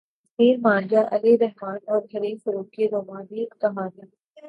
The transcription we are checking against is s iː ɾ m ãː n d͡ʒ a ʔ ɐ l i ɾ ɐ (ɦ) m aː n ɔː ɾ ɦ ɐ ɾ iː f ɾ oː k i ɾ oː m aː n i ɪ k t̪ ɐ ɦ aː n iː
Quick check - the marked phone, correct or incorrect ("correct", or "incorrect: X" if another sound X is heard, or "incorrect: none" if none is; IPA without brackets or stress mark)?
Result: correct